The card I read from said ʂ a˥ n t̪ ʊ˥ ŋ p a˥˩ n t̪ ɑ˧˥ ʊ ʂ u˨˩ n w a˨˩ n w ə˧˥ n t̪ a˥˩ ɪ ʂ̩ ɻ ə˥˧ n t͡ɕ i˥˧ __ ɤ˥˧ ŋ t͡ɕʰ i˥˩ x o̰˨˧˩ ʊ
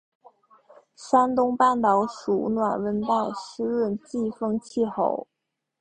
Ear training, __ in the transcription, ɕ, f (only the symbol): f